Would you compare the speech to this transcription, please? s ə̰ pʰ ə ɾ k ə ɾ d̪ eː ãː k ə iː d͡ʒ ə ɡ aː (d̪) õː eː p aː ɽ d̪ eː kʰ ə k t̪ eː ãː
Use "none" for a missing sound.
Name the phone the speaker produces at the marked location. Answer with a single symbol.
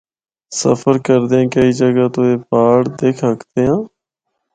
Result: t̪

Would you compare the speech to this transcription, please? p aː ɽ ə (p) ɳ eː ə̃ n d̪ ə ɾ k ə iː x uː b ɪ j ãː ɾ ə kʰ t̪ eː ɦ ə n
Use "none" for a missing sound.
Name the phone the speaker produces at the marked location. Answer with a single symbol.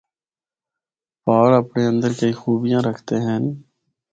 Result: p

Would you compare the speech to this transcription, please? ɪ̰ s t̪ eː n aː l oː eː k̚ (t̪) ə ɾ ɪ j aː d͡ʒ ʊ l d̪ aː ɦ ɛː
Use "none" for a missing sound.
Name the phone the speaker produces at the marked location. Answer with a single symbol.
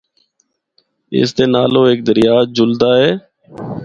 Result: d̪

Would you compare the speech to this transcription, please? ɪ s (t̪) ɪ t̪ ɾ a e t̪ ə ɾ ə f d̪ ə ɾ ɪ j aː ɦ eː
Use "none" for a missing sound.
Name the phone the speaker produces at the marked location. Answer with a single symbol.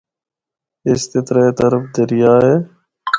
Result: t̪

